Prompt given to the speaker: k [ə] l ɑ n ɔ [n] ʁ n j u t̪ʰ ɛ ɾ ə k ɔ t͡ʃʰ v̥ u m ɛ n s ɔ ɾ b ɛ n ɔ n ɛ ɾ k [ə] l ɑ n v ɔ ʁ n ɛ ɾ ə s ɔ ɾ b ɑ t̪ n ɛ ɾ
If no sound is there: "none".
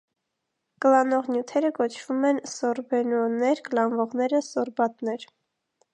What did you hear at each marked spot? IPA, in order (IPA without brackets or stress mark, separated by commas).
ə, none, ə